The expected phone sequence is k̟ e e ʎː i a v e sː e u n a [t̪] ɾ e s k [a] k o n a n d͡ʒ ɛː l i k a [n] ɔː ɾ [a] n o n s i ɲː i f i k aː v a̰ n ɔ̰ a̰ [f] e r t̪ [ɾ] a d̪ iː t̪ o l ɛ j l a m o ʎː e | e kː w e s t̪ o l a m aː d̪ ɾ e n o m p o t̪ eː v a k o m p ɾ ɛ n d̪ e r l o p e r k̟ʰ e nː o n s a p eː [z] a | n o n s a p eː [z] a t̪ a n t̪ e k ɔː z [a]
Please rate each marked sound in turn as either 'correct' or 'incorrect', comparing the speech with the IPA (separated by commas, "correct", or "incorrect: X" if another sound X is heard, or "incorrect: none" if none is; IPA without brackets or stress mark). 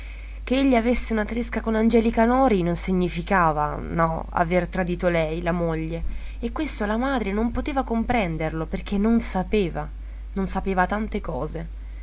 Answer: correct, correct, correct, incorrect: i, incorrect: v, correct, incorrect: v, incorrect: v, incorrect: e